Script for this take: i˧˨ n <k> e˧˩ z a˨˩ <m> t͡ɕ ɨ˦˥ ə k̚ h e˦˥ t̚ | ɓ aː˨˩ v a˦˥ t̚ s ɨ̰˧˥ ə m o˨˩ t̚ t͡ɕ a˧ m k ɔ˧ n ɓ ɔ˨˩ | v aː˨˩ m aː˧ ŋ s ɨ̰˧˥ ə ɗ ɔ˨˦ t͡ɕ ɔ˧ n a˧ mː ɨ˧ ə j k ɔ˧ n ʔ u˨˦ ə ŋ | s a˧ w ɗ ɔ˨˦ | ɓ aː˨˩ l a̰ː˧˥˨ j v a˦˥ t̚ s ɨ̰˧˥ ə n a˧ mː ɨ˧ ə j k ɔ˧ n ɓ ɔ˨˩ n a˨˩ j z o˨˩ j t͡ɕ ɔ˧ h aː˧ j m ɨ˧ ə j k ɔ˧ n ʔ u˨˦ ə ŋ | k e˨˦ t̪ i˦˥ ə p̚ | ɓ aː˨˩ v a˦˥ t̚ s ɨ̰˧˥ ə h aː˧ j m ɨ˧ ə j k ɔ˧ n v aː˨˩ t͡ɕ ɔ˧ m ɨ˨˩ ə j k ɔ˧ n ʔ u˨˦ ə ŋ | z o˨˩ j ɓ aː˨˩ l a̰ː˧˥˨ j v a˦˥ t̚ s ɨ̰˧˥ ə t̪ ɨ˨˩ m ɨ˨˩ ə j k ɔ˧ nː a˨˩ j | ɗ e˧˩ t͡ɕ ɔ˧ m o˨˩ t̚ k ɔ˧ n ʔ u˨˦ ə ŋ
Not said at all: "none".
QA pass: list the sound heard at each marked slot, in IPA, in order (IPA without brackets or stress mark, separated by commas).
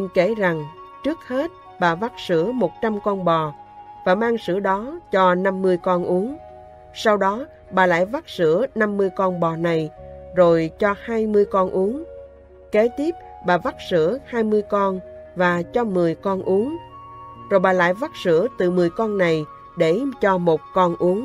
k, ŋ